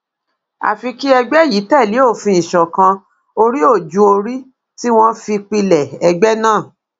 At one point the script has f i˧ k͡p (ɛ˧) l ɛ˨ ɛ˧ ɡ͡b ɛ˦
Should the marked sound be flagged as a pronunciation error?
yes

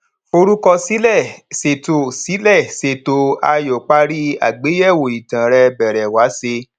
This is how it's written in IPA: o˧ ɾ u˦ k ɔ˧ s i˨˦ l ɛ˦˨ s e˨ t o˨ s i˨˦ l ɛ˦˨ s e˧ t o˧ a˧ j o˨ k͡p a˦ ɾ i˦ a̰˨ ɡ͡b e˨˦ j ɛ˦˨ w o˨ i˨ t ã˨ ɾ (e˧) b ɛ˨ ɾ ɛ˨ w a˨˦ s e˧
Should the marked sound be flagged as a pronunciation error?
yes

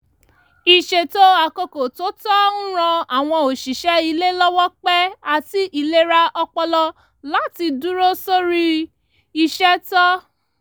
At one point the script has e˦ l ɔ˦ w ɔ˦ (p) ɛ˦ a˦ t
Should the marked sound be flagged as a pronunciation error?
yes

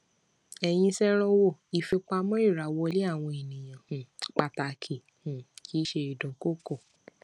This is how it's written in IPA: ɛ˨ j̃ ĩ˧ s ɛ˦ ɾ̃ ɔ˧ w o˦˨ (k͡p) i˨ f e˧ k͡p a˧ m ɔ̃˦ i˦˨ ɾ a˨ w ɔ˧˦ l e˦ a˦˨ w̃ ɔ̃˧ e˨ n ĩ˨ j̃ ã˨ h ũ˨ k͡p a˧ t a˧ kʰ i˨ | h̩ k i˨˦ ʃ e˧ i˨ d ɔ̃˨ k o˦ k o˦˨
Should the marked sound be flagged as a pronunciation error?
yes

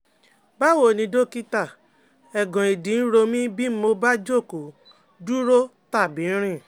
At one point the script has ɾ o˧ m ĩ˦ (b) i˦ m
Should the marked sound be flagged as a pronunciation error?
no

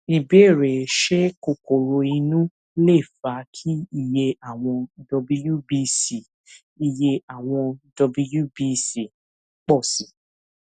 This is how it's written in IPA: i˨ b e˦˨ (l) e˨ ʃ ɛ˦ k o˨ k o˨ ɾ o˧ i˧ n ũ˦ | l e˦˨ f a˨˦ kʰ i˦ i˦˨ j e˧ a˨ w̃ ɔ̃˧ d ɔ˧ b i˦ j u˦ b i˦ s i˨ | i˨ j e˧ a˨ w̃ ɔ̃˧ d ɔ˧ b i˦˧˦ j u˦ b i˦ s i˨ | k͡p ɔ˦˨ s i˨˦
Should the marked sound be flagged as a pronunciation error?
yes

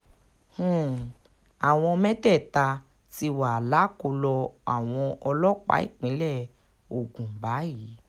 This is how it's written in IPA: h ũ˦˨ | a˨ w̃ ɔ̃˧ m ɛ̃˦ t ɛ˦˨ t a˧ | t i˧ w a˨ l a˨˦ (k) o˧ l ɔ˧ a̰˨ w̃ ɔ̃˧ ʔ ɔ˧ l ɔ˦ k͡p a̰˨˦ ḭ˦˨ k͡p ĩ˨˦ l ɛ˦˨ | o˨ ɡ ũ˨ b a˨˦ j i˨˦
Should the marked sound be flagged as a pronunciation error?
no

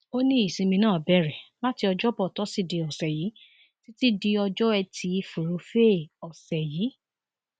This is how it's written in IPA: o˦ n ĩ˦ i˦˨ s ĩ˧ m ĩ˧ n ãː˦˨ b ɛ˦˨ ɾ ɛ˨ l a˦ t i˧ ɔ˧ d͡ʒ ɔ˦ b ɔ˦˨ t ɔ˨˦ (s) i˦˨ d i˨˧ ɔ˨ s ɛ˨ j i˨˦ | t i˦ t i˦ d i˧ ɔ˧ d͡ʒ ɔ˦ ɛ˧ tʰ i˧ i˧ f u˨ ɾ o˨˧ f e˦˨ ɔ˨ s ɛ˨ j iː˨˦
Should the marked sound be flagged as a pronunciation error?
no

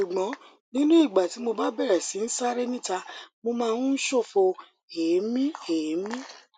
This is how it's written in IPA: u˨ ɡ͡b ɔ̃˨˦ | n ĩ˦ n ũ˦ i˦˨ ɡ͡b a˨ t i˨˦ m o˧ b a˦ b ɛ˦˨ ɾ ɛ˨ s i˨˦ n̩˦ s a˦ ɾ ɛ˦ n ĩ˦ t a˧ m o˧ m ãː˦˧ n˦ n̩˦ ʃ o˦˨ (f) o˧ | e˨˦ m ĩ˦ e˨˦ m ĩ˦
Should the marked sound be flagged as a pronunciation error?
no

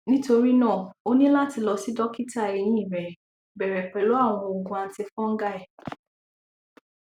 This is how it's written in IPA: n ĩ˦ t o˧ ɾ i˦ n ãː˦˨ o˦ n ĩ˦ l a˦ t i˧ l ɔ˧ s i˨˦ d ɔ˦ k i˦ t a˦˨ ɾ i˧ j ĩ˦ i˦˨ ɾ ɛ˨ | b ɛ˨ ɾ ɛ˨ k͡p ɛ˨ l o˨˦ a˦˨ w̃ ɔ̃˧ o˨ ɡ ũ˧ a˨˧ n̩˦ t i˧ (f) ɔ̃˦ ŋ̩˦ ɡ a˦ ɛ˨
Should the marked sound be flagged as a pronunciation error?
no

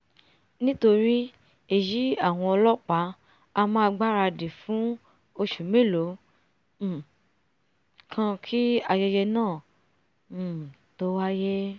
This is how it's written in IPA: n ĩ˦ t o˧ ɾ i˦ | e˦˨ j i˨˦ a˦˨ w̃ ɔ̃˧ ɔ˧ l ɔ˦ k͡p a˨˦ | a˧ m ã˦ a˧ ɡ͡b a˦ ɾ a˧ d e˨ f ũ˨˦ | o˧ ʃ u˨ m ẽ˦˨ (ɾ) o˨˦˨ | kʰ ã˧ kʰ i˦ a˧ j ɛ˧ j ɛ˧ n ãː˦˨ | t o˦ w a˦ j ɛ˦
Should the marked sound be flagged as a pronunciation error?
yes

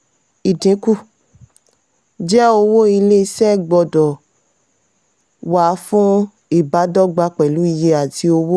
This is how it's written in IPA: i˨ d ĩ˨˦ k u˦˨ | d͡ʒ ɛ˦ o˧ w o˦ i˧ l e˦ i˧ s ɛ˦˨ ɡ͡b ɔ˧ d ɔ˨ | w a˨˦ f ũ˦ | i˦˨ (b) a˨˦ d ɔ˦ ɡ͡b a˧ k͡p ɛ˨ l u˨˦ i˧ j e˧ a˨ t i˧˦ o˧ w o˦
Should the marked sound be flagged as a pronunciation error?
no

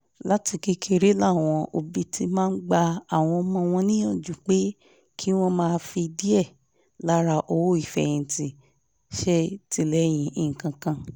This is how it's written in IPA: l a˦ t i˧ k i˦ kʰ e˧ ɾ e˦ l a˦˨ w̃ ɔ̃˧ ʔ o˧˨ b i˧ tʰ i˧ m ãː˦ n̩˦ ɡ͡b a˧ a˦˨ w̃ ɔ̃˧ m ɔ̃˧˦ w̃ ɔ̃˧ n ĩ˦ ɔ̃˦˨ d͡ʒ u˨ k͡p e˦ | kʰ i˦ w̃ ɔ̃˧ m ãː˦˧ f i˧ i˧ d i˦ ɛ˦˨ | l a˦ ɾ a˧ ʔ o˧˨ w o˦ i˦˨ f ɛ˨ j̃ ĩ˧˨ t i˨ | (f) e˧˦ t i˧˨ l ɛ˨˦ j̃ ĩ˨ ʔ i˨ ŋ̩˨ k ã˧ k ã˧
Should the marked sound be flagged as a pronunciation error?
yes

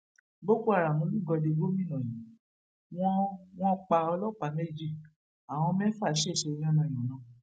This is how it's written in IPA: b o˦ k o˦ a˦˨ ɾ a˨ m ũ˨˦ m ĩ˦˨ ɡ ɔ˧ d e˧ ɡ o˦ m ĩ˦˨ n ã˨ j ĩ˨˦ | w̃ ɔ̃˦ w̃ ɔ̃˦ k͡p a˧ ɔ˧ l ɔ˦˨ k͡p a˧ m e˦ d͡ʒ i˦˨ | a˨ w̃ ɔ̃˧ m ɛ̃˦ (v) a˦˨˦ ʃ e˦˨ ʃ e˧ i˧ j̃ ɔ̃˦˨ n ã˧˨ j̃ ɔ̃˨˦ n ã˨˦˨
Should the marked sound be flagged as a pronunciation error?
yes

